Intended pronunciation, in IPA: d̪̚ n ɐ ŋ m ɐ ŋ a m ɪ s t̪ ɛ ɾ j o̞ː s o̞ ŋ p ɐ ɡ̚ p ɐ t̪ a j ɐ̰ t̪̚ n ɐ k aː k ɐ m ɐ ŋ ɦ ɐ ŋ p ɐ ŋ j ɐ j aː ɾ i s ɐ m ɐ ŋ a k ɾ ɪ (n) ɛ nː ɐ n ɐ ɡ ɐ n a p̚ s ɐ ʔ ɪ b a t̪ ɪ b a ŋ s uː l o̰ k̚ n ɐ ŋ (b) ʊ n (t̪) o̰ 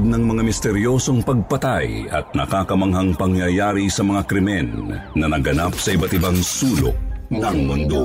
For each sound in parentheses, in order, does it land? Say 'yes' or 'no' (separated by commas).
no, no, no